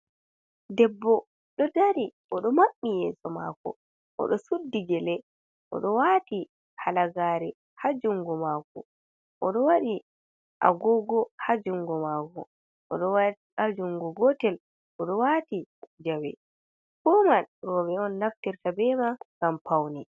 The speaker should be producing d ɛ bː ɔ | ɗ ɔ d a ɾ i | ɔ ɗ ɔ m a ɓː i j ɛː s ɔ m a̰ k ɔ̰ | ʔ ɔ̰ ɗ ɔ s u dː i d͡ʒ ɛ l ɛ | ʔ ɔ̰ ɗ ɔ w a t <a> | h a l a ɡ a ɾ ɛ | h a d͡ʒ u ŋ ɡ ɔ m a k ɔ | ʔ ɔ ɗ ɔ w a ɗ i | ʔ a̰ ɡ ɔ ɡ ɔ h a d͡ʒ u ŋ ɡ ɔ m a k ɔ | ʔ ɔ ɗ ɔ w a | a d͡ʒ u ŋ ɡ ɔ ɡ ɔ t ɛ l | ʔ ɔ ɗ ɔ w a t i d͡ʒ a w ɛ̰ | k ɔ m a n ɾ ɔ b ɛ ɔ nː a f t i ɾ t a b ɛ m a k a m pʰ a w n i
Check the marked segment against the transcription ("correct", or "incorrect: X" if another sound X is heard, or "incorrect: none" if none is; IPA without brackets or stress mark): incorrect: i